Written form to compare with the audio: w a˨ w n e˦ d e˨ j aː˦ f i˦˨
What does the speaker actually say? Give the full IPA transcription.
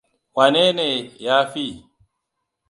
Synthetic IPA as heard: w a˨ n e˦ n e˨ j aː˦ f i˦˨

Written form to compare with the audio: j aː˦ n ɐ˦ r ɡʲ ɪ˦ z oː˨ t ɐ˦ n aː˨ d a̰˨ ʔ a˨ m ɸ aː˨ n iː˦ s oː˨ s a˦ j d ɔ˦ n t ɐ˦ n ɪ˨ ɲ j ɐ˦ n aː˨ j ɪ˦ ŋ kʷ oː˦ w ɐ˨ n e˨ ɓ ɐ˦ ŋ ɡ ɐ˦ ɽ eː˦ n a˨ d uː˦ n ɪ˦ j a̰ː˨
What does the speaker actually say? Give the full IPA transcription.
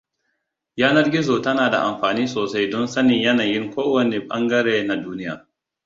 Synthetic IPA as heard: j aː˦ n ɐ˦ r ɡʲ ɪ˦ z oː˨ t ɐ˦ n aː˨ d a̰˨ ʔ a˨ m ɸ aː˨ n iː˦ s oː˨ s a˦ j d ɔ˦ n s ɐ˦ n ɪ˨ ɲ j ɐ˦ n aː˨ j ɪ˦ ŋ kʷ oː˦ w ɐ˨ n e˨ ɓ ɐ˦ ŋ ɡ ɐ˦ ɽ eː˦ n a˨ d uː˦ n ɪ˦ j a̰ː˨

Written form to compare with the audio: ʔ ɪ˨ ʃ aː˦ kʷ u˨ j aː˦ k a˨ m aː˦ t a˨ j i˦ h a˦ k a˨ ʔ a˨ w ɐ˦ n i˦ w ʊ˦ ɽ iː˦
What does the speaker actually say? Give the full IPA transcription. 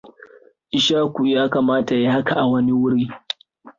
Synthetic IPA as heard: ʔ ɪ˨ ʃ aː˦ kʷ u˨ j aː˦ k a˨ m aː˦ t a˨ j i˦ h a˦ k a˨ ʔ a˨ w ɐ˦ n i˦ w ʊ˦ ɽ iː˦

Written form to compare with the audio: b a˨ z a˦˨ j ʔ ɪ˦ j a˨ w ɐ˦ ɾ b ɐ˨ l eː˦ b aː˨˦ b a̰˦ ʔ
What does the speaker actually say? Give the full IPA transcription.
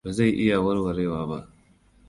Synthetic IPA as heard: b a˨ z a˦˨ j ʔ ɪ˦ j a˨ w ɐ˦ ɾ w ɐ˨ ɾ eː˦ w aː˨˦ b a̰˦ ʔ

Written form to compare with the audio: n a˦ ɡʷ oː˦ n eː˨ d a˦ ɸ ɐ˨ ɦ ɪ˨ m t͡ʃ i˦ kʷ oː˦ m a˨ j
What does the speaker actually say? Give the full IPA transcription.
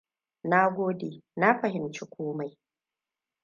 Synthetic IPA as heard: n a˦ ɡʷ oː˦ d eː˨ n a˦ ɸ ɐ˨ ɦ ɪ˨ m t͡ʃ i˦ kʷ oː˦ m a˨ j

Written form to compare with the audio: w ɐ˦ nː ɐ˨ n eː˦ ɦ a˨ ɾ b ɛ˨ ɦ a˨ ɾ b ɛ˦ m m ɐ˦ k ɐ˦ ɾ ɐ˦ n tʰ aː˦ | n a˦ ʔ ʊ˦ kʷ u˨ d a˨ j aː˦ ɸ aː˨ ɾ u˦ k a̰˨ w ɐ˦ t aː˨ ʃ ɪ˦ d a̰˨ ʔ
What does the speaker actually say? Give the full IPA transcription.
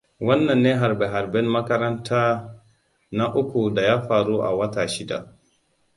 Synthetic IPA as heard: w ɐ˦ nː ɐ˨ nː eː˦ ɦ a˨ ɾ b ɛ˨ ɦ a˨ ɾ b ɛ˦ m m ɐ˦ k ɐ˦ ɾ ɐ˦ n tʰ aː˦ | n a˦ ʔ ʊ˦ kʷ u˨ d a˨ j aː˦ ɸ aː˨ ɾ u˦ ʔ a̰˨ w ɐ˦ t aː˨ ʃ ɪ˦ d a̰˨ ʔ

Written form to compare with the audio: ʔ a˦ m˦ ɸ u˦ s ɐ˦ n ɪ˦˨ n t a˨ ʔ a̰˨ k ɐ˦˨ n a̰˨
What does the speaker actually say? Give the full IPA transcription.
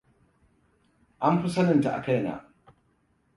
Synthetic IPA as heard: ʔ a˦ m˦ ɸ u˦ s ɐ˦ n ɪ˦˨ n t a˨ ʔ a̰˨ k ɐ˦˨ n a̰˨

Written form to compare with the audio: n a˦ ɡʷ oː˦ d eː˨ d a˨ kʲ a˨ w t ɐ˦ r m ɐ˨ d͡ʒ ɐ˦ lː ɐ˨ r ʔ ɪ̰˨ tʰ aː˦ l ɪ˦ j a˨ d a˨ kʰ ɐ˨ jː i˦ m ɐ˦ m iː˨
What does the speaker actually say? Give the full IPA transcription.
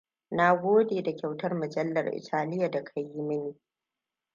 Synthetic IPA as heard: n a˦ ɡʷ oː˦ d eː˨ d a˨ kʲ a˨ w t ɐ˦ r m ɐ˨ d͡ʒ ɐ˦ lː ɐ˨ r ʔ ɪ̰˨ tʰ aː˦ l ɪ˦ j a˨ d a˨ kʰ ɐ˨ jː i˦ m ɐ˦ n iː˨

